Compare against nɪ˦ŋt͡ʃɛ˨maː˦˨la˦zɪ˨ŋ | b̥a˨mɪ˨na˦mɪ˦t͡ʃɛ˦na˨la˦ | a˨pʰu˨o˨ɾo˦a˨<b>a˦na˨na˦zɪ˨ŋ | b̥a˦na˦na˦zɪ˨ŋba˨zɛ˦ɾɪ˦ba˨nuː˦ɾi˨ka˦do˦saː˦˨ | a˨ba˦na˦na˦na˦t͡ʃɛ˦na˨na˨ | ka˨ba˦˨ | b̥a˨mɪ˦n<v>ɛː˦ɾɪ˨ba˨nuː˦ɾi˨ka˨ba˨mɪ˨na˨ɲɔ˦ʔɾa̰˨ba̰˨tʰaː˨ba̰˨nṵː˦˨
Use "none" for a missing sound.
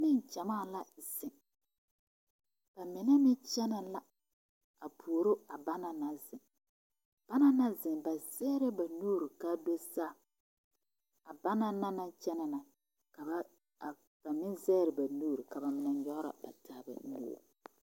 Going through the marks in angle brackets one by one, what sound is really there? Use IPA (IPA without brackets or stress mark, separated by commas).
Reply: b, z